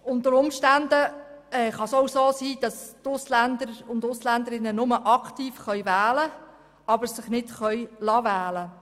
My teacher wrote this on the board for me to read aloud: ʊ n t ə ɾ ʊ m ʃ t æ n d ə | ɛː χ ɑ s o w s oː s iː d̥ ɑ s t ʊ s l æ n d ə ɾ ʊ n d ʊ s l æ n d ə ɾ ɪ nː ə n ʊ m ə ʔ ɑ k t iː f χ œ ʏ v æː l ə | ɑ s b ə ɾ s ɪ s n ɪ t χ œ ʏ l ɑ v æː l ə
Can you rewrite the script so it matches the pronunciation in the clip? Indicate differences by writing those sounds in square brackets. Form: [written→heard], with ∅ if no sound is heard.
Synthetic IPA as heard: ʊ n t ə ɾ ʊ m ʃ t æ n d ə | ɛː χ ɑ s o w s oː s iː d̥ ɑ s t ʊ s l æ n d ə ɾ ʊ n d ʊ s l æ n d ə ɾ ɪ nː ə n ʊ m ə ʔ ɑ k t iː f χ œ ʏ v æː l ə | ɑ [s→∅] b ə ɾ s ɪ [s→χ] n ɪ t χ œ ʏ l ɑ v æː l ə